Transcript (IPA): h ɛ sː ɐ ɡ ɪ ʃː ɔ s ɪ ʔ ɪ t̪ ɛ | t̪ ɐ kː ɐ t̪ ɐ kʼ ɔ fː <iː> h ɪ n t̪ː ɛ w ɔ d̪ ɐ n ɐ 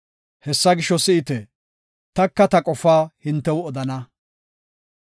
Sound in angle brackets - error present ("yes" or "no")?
yes